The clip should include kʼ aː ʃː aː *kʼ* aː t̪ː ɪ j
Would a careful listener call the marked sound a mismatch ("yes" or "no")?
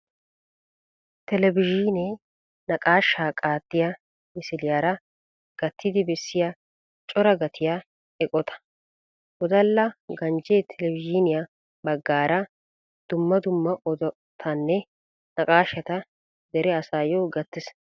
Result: no